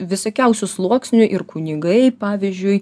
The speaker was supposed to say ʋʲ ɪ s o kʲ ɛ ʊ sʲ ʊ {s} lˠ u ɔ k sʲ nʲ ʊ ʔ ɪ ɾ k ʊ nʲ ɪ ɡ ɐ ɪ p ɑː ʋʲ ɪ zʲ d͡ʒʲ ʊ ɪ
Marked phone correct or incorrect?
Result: correct